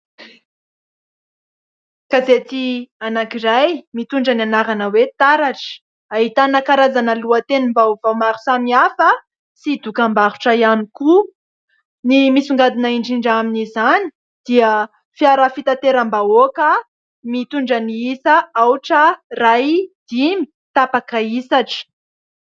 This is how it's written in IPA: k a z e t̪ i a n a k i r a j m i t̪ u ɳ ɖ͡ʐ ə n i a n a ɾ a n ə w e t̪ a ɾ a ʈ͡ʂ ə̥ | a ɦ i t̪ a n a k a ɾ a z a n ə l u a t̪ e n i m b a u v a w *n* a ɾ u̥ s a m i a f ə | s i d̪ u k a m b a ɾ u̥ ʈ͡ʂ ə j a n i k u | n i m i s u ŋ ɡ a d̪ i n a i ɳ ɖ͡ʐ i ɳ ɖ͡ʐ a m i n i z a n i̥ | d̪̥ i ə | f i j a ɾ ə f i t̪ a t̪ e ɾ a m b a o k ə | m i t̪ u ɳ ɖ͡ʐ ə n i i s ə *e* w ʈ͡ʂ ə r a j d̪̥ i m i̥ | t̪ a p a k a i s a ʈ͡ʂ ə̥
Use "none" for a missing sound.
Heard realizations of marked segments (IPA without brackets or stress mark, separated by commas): m, a